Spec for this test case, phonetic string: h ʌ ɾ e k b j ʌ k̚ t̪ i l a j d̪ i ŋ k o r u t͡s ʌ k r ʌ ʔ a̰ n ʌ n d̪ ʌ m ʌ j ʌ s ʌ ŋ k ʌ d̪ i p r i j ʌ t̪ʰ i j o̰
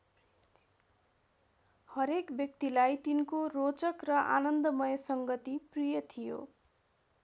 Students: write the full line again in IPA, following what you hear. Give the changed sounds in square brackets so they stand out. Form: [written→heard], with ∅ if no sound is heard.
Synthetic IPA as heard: h ʌ ɾ e k b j ʌ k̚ t̪ i l a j [d̪→t̪] i [ŋ→n] k o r [u→o] t͡s ʌ k r ʌ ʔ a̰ n ʌ n d̪ ʌ m ʌ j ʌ s ʌ ŋ [k→ɡ] ʌ [d̪→t̪] i p r i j ʌ t̪ʰ i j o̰